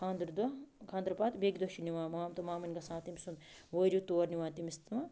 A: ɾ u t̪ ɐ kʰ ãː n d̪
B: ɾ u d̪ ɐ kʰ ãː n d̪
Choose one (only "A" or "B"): B